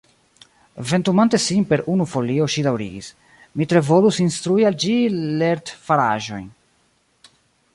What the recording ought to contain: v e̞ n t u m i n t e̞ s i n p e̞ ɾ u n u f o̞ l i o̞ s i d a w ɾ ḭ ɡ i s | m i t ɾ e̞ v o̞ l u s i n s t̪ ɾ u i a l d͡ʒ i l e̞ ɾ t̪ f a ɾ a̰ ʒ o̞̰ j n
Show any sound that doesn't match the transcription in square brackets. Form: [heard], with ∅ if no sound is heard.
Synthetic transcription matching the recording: v e̞ n t u m [a] n t e̞ s i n p e̞ ɾ u n u f o̞ l i o̞ [ʃ] i d a w ɾ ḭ ɡ i s | m i t ɾ e̞ v o̞ l u s i n s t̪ ɾ u i a l d͡ʒ i l e̞ ɾ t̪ f a ɾ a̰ ʒ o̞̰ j n